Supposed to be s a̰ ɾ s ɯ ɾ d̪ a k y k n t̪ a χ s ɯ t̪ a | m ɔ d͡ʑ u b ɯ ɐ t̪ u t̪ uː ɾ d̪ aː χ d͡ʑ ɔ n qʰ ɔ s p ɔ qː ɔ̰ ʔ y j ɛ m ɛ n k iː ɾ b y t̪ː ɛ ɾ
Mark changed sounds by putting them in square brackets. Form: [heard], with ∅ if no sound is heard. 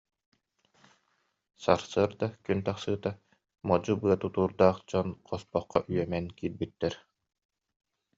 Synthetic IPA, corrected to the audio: s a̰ ɾ s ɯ ɾ d̪ a k y [∅] n t̪ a χ s [ɯː] t̪ a | m ɔ d͡ʑ u b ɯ ɐ t̪ u t̪ uː ɾ d̪ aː χ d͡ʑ ɔ n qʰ ɔ s p ɔ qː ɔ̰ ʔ y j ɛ m ɛ n k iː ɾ b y t̪ː ɛ ɾ